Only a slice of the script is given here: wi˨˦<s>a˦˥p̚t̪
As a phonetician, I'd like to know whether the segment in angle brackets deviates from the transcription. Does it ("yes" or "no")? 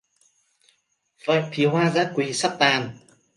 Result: no